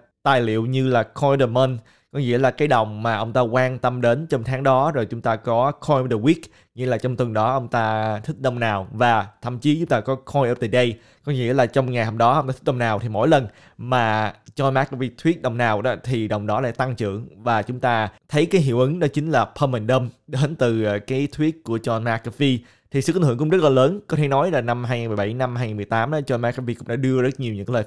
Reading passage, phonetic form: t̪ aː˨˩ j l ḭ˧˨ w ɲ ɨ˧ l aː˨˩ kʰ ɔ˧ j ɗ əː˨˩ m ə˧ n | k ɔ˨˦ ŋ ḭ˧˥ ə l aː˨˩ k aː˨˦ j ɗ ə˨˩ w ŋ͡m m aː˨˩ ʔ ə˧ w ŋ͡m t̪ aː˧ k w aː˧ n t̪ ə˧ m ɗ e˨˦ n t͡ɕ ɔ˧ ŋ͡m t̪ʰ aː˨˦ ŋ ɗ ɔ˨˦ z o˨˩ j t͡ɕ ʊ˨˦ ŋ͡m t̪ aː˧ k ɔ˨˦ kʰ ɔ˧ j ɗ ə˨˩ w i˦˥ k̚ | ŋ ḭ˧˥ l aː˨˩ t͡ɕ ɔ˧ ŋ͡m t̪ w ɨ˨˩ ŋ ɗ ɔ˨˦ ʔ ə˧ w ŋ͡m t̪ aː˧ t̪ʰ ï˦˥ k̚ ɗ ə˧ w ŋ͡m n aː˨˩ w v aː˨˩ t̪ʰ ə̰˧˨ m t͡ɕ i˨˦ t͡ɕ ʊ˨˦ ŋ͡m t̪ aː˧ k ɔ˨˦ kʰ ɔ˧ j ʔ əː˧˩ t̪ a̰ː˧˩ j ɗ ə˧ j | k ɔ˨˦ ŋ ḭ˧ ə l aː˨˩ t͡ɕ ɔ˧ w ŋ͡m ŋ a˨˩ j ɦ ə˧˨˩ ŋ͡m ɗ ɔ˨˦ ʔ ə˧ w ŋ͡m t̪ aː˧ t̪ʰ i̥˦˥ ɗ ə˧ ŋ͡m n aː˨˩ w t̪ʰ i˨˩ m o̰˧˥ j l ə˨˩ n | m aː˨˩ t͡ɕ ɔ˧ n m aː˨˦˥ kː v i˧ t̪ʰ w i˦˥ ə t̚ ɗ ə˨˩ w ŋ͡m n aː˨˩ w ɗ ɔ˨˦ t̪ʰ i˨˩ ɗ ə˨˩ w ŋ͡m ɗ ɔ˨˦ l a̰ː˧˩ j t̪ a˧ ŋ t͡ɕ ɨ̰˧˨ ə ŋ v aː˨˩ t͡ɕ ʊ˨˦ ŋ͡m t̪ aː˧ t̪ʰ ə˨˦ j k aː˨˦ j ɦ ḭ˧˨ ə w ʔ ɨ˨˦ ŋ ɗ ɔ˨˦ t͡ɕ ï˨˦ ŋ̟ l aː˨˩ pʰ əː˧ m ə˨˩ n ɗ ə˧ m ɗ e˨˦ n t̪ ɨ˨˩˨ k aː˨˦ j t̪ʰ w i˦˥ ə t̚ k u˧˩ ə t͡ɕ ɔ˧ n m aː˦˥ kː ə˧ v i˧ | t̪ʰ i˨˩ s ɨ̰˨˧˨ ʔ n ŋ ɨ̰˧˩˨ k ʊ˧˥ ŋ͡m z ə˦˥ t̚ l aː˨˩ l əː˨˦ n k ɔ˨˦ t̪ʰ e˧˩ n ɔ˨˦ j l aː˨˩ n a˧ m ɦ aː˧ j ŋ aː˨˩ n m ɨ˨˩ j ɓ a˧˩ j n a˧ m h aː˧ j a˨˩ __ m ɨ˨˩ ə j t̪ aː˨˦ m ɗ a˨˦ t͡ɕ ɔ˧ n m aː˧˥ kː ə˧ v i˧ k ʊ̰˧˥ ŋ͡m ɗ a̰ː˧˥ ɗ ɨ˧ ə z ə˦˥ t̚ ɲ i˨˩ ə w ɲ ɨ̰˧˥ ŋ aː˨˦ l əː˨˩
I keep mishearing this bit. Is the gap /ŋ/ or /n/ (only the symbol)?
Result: n